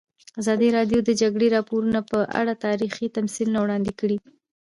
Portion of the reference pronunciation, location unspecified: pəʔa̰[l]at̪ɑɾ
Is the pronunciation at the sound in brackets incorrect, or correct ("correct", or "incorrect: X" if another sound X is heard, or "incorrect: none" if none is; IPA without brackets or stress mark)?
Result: incorrect: ɽ